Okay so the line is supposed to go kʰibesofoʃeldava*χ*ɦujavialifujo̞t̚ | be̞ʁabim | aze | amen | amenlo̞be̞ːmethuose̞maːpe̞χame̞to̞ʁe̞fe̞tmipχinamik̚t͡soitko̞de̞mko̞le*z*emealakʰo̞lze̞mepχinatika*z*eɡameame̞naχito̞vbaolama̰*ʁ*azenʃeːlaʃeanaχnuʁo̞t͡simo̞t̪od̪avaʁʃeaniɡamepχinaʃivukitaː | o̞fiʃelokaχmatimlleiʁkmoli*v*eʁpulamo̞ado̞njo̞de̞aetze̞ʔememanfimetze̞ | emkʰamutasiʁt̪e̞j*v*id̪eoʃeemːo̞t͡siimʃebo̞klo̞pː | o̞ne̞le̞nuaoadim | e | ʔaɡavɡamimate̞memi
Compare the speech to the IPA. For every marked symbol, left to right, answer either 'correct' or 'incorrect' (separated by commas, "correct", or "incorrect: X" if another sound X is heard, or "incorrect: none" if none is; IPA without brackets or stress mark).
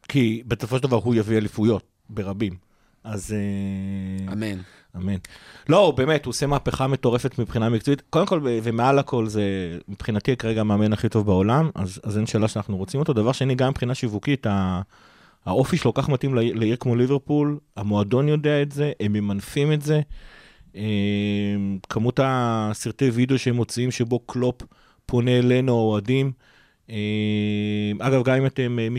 incorrect: ʁ, incorrect: v, incorrect: ʁ, incorrect: z, correct, correct